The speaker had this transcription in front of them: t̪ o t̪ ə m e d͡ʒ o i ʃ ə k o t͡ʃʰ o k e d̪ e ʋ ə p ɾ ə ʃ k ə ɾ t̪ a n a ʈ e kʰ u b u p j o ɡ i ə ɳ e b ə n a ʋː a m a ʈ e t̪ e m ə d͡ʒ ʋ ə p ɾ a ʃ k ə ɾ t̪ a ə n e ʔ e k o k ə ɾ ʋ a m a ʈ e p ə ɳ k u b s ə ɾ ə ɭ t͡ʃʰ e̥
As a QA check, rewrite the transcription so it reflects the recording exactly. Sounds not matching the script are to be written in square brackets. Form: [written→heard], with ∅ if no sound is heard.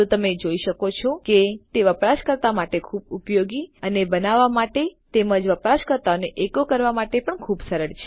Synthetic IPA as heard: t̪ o t̪ ə m e d͡ʒ o i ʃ ə k o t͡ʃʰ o k e [d̪→t̪] e ʋ ə p ɾ [ə→a] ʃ k ə ɾ t̪ a [n→m] a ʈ e kʰ u b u p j o ɡ i ə [ɳ→n] e b ə n a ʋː a m a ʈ e t̪ e m ə d͡ʒ ʋ ə p ɾ a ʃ k ə ɾ t̪ a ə n e ʔ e k o k ə ɾ ʋ a m a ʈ e p ə ɳ [k→kʰ] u b s ə ɾ ə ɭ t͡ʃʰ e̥